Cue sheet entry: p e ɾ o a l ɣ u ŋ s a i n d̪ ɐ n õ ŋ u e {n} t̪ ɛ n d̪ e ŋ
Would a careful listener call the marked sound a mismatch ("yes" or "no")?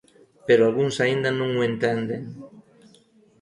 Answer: no